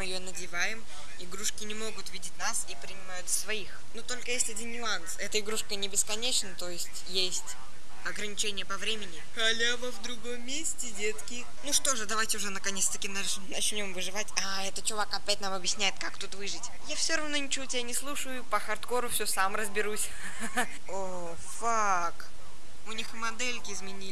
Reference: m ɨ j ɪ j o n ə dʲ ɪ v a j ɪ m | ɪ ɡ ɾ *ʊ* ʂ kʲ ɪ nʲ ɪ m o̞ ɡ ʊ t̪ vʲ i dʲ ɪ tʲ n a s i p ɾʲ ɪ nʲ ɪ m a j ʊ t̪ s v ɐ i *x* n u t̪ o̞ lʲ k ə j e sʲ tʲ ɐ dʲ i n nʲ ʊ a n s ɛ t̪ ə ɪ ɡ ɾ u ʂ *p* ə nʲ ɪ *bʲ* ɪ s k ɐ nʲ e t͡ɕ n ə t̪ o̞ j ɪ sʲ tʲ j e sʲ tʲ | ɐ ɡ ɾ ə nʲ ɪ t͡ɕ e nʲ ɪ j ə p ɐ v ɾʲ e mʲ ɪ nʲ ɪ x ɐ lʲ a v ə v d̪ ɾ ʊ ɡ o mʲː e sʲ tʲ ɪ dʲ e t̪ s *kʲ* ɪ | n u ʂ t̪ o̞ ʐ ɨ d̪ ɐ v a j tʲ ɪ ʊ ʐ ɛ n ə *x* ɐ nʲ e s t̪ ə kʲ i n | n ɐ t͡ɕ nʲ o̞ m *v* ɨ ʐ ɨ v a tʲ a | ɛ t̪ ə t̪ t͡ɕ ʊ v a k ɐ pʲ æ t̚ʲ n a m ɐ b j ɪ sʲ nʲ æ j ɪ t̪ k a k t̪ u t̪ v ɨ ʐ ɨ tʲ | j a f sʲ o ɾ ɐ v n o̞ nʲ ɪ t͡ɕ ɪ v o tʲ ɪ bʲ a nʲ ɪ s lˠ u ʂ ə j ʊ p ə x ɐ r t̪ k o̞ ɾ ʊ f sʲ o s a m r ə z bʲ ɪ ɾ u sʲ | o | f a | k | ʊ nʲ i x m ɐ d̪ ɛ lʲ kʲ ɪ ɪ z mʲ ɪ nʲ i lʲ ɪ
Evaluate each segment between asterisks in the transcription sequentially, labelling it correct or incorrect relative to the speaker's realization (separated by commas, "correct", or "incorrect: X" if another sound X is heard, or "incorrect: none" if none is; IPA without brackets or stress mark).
incorrect: u, correct, incorrect: k, correct, correct, incorrect: k, correct